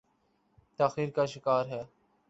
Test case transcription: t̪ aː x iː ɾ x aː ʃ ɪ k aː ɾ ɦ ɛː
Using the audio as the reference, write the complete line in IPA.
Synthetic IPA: t̪ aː x iː ɾ k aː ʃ ɪ k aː ɾ ɦ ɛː

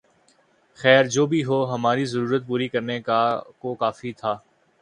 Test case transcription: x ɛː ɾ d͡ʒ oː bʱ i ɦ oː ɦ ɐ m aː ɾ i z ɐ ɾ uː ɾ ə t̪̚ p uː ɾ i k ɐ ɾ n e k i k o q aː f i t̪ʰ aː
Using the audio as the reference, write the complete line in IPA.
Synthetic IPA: x ɛː ɾ d͡ʒ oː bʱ i ɦ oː ɦ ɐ m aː ɾ i z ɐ ɾ uː ɾ ə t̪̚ p uː ɾ i k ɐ ɾ n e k a k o k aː f i t̪ʰ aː

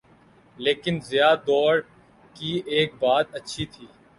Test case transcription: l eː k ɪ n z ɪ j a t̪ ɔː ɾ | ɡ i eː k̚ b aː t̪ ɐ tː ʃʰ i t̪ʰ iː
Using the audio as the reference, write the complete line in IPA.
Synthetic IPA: l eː k ɪ n z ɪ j a d̪ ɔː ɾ | k i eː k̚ b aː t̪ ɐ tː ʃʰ i t̪ʰ iː

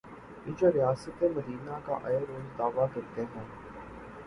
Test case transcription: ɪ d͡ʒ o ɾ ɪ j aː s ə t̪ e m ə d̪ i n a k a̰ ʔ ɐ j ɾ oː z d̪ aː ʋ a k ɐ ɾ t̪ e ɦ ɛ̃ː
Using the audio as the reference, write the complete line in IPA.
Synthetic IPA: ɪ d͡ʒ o ɾ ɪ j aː s ə t̪ e m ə d̪ iː n a k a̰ ʔ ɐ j ɾ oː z d̪ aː ʋ a k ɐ ɾ t̪ e ɦ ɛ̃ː

